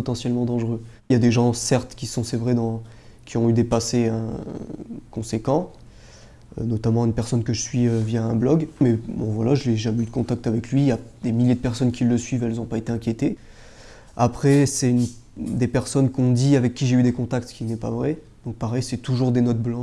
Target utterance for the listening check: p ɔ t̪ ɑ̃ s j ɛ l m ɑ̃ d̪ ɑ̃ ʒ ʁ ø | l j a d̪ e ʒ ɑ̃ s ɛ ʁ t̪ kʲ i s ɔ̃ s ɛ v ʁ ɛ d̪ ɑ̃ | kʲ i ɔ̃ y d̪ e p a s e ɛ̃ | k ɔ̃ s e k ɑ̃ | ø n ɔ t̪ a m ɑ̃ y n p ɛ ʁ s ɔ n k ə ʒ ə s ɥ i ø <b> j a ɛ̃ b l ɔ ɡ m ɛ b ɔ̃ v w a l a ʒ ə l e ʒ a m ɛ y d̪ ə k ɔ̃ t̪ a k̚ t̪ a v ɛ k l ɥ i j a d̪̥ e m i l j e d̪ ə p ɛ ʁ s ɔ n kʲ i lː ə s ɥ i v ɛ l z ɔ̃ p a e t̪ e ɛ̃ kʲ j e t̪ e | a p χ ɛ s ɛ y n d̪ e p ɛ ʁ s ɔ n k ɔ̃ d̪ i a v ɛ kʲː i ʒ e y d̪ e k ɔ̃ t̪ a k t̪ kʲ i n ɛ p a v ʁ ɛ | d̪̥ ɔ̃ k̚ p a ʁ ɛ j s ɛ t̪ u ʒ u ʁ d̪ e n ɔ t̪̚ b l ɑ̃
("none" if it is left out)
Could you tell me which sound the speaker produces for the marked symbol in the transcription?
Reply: v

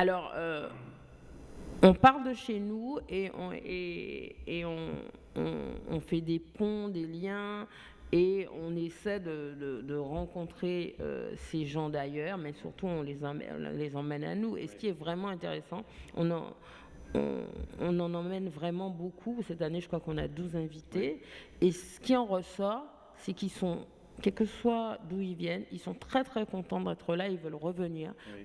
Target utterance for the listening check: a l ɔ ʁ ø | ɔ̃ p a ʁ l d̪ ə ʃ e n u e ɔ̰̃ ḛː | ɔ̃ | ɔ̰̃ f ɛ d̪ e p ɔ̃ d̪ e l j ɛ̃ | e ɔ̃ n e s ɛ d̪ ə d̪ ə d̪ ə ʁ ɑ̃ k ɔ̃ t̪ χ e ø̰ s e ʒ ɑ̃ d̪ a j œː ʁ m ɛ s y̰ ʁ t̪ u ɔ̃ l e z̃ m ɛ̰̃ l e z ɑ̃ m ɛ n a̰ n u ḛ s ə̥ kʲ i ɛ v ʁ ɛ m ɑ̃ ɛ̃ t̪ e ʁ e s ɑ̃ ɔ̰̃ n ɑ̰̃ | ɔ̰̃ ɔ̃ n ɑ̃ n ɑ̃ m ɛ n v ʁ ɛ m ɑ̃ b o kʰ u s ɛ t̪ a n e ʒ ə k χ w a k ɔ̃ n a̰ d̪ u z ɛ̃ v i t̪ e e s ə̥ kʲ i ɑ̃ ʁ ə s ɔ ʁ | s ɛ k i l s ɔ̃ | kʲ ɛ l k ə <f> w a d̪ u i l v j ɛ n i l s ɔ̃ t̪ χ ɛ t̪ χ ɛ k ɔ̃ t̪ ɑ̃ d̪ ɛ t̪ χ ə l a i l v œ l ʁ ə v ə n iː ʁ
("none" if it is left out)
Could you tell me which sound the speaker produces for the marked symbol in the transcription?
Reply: s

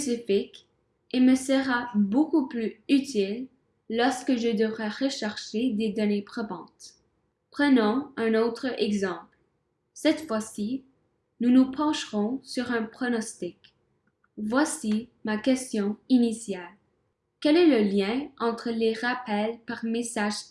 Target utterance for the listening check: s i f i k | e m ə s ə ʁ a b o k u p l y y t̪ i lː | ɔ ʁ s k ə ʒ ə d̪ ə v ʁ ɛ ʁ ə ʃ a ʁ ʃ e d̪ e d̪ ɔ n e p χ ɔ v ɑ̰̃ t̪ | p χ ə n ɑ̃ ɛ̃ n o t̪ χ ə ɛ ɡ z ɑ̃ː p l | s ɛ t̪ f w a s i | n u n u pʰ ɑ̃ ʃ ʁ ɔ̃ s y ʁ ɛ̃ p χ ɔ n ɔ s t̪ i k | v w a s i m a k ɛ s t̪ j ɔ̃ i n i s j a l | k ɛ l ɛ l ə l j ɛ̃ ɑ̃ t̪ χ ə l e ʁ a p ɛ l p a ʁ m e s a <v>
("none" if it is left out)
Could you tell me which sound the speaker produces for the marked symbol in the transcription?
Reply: ʒ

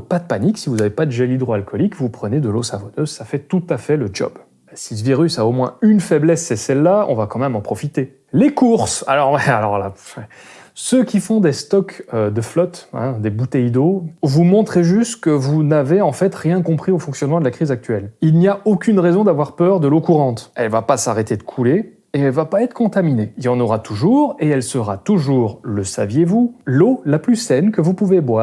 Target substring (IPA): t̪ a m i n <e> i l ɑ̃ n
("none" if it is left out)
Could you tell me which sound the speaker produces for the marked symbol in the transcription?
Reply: e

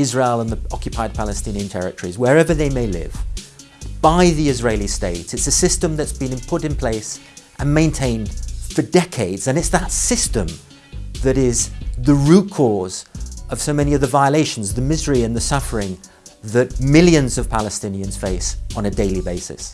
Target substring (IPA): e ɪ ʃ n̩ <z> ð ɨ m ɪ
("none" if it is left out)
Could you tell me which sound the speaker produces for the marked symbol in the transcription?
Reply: z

